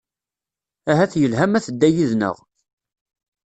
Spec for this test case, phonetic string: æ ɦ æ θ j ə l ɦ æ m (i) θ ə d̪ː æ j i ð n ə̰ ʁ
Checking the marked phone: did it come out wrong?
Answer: yes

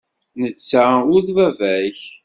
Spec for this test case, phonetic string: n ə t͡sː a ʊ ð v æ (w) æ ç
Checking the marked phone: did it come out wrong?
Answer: yes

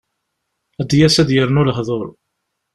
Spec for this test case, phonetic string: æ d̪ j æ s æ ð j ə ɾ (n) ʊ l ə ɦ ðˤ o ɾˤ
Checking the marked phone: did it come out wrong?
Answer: no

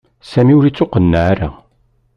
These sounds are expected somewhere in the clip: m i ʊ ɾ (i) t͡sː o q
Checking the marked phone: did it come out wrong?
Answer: no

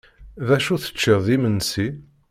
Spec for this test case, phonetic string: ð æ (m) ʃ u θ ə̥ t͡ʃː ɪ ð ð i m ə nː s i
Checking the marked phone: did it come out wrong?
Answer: yes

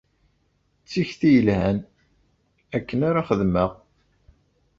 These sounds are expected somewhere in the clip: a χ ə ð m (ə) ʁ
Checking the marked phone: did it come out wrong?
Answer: no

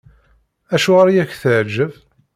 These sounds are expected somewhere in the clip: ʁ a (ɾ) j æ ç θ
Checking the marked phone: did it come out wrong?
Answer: no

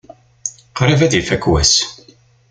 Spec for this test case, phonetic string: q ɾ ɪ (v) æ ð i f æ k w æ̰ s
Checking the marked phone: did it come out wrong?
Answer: no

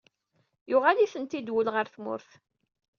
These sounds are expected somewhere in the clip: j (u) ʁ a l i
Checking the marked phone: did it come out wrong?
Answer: yes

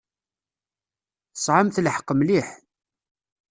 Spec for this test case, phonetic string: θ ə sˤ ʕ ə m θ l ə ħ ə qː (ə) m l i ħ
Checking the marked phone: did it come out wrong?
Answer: no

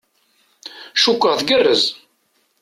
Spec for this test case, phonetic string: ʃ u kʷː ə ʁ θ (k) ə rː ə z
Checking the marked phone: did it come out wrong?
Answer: yes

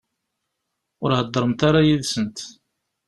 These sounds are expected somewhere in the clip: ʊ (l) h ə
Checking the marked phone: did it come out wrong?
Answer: yes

